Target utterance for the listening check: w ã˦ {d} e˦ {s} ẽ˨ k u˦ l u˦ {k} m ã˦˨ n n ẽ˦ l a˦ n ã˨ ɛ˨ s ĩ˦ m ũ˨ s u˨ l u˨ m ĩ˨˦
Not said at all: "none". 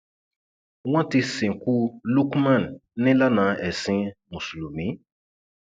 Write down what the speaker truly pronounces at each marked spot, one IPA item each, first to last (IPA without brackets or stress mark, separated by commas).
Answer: t, s, k